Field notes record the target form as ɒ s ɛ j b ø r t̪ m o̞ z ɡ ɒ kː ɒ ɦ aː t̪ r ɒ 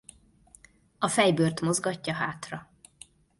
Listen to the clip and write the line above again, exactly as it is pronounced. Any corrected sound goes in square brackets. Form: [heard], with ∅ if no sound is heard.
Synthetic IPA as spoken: ɒ [f] ɛ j b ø r t̪ m o̞ z ɡ ɒ [cː] ɒ ɦ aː t̪ r ɒ

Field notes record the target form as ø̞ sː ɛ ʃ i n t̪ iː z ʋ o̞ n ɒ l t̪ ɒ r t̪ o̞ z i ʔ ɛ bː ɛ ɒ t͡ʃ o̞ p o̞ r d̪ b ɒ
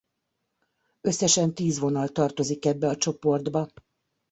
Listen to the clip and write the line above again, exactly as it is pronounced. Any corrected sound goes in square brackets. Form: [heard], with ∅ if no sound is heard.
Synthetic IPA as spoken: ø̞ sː ɛ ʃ [ɛ] n t̪ iː z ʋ o̞ n ɒ l t̪ ɒ r t̪ o̞ z i [k] ɛ bː ɛ ɒ t͡ʃ o̞ p o̞ r d̪ b ɒ

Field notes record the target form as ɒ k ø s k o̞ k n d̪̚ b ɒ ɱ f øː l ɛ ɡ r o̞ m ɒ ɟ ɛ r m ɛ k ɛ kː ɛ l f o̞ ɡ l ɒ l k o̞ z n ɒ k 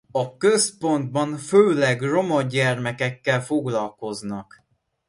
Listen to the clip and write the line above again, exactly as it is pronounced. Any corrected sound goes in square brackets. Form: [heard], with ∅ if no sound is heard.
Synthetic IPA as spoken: ɒ k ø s [p] o̞ [∅] n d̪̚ b ɒ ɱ f øː l ɛ ɡ r o̞ m ɒ ɟ ɛ r m ɛ k ɛ kː ɛ l f o̞ ɡ l ɒ l k o̞ z n ɒ k

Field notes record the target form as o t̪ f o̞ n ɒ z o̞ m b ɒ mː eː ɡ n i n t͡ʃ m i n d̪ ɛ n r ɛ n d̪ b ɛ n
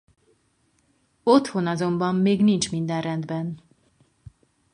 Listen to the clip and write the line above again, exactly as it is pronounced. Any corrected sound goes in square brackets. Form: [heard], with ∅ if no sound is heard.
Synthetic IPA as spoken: o t̪ [h] o̞ n ɒ z o̞ m b ɒ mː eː ɡ n i n t͡ʃ m i n d̪ ɛ n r ɛ n d̪ b ɛ n

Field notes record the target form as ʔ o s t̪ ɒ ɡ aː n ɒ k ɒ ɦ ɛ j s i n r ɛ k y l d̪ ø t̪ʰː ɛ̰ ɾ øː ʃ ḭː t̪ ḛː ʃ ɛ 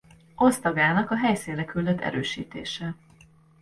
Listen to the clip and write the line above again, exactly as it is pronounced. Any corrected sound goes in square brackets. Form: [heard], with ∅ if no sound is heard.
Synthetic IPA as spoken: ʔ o s t̪ ɒ ɡ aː n ɒ k ɒ ɦ ɛ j s i n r ɛ k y l d̪ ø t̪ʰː ɛ̰ ɾ øː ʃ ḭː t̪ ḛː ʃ ɛ

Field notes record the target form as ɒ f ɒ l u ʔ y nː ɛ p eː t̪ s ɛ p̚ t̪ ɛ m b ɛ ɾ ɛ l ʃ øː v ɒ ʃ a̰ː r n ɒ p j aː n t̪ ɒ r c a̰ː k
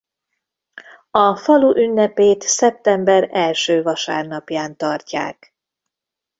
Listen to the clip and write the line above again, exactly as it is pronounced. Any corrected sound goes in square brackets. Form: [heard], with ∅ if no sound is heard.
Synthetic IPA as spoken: ɒ f ɒ l u ʔ y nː ɛ p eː t̪ s ɛ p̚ t̪ ɛ m b ɛ ɾ ɛ l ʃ øː v ɒ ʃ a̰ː r n ɒ p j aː n t̪ ɒ r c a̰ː k

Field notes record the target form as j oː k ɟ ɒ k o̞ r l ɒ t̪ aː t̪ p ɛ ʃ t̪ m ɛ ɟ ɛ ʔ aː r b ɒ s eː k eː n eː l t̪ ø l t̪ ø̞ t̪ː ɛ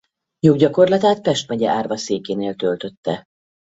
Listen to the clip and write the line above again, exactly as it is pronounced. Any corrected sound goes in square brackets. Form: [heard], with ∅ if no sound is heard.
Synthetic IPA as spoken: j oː [ɡ] ɟ ɒ k o̞ r l ɒ t̪ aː t̪ p ɛ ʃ t̪ m ɛ ɟ ɛ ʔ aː r [v] ɒ s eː k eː n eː l t̪ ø l t̪ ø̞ t̪ː ɛ

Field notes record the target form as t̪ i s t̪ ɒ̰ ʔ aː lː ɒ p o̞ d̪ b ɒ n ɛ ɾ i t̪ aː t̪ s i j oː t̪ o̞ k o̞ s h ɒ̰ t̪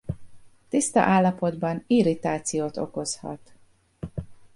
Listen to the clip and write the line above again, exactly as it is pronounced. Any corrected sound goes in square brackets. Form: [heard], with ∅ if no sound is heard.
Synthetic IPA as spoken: t̪ i s t̪ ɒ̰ ʔ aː lː ɒ p o̞ d̪ b ɒ n [i] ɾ i t̪ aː t̪ s i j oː t̪ o̞ k o̞ s h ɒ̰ t̪

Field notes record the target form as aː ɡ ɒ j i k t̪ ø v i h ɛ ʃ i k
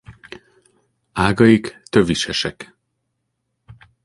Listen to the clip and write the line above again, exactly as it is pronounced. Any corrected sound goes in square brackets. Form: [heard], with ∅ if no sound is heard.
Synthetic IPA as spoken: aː ɡ ɒ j i k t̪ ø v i [ʃ] ɛ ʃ [ɛ] k

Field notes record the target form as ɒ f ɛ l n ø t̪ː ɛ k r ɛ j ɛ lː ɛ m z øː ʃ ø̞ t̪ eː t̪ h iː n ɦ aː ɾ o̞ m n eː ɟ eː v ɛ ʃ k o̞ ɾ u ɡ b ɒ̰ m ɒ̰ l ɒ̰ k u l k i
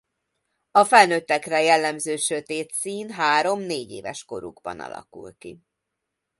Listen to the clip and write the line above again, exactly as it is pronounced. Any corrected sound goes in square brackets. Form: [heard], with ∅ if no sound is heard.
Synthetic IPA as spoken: ɒ f ɛ l n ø t̪ː ɛ k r ɛ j ɛ lː ɛ m z øː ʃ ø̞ t̪ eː t̪ [s] iː n ɦ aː ɾ o̞ m n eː ɟ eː v ɛ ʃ k o̞ ɾ u ɡ b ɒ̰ [n] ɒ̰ l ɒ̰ k u l k i

